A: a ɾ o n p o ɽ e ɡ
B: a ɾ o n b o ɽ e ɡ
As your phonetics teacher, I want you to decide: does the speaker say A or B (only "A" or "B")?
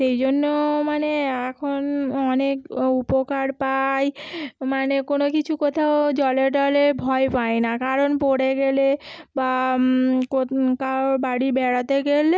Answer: A